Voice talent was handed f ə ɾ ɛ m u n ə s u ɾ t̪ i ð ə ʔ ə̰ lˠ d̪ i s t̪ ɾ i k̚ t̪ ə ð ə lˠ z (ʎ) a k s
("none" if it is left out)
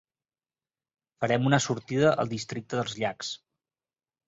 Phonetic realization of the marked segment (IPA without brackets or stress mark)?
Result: ʎ